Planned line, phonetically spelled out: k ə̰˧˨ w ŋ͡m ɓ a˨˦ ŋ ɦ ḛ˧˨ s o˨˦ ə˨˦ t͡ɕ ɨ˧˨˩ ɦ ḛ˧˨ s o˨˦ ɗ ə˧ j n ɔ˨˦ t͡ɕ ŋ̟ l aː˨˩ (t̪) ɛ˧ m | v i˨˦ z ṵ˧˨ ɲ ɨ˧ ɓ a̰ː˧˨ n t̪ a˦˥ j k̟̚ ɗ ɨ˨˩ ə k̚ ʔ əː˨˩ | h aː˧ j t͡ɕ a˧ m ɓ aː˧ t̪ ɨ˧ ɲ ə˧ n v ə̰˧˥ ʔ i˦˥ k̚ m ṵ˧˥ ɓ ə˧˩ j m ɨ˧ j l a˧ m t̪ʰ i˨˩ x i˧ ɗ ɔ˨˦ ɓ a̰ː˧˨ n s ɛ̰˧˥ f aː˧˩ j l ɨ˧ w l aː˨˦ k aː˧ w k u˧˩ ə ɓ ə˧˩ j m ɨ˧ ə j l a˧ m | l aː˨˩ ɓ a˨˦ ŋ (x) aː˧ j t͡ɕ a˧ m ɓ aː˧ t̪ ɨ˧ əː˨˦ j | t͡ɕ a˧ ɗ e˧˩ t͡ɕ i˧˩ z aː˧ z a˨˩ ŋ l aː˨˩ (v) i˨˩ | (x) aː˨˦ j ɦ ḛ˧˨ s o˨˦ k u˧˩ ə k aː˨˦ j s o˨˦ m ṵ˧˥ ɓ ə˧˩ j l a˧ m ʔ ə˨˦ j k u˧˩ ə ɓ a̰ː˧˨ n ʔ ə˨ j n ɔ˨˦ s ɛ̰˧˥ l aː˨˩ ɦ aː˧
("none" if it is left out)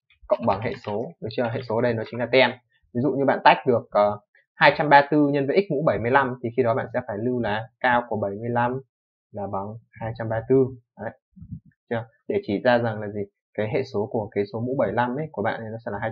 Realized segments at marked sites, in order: t̪, h, z, k

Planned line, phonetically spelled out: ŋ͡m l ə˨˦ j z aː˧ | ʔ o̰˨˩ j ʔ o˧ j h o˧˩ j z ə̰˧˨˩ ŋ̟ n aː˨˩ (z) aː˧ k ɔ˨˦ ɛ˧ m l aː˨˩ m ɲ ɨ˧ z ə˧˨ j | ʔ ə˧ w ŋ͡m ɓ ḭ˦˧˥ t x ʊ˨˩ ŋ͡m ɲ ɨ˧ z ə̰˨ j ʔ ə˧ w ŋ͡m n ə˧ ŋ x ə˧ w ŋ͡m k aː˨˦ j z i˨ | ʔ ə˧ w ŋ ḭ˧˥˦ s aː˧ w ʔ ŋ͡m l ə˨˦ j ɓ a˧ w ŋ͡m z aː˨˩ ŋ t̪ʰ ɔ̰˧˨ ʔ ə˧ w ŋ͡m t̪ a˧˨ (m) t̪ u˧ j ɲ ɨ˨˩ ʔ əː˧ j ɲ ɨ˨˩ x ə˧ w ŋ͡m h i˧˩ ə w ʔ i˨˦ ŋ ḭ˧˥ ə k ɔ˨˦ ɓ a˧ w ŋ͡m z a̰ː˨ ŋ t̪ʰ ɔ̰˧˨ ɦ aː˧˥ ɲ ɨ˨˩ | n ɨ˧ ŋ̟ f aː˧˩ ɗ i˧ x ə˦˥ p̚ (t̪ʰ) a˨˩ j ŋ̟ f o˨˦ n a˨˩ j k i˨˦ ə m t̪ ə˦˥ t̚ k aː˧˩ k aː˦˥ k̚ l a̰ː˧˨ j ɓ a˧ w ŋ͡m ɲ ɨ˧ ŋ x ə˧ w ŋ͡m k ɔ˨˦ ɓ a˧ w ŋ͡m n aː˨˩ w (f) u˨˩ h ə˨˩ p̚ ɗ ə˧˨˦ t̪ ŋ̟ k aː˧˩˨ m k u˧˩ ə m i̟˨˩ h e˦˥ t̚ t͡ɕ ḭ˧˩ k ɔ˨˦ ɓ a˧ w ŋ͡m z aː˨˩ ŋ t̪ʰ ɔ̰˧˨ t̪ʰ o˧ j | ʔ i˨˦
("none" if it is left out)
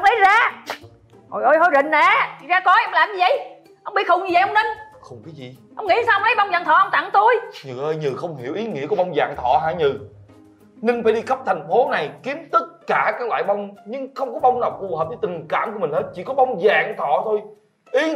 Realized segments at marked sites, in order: z, ŋ, t̪ʰ, f

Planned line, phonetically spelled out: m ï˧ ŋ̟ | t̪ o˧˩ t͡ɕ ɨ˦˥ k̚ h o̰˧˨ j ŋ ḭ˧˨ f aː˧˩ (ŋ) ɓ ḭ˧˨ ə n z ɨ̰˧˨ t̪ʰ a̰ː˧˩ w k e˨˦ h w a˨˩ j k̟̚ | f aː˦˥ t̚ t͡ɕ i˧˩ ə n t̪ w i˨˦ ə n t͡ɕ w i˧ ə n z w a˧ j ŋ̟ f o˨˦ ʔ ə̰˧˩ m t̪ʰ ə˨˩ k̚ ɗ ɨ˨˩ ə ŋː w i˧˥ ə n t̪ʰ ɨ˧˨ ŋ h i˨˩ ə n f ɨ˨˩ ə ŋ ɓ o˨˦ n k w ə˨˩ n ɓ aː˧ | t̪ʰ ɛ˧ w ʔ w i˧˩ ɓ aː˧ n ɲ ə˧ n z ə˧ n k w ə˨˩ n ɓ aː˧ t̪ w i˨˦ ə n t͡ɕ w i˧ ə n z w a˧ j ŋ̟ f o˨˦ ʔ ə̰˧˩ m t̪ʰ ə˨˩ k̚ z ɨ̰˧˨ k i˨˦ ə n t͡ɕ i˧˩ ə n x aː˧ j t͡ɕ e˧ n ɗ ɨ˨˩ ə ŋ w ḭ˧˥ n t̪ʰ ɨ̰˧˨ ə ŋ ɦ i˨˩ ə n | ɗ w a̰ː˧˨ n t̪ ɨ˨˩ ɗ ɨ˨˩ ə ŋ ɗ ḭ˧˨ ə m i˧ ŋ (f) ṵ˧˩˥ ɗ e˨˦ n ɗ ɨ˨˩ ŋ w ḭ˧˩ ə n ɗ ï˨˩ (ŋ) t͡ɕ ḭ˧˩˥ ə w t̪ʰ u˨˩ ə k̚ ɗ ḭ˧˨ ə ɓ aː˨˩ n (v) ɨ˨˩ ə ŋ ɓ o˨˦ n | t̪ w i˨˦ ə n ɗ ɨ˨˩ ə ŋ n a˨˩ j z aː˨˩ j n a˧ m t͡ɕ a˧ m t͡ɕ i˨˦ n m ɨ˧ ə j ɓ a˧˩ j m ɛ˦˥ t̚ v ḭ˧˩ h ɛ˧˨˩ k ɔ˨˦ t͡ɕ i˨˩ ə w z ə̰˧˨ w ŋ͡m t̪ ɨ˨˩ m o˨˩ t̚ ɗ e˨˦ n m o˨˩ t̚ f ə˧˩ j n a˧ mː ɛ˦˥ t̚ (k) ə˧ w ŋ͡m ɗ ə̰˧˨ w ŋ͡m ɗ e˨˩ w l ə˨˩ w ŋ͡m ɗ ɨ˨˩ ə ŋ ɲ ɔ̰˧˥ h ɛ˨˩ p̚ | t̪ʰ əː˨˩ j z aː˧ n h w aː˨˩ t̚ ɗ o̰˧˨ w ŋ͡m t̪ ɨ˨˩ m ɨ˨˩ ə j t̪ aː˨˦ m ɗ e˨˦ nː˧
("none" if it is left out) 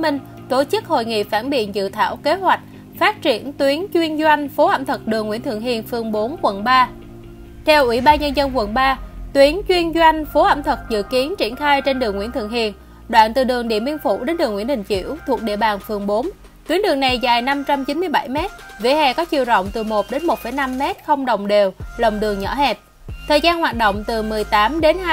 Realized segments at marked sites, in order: n, f, ŋ, f, x

